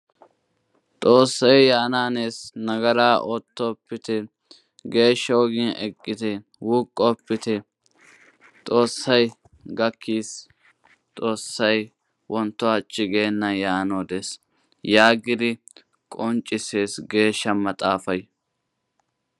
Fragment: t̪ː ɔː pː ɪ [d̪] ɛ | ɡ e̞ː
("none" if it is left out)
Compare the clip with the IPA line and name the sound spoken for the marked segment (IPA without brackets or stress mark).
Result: t̪